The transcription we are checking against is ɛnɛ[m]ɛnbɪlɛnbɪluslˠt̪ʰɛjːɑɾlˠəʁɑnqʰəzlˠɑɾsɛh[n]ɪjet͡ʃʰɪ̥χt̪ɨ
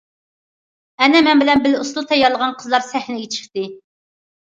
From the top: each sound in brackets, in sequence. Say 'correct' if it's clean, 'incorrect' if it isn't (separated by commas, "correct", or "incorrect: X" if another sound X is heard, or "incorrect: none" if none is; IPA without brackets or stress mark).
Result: correct, correct